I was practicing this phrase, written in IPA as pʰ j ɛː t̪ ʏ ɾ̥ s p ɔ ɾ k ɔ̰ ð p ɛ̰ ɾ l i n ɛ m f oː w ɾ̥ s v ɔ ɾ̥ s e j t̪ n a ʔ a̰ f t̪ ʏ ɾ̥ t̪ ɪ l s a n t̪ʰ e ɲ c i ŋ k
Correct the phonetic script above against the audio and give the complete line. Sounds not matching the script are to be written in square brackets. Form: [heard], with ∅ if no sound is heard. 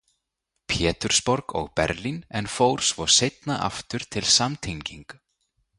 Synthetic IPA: pʰ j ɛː t̪ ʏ ɾ̥ s p ɔ ɾ k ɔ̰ [ɣ] p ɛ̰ ɾ l i n ɛ [n] f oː w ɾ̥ s v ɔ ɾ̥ s e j t̪ n a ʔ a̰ f t̪ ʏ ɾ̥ [t̪ʰ] ɪ l s a [m] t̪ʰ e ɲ c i ŋ k